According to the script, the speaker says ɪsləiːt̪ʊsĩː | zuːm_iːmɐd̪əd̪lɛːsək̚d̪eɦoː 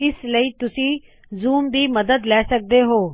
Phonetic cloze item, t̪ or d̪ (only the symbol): d̪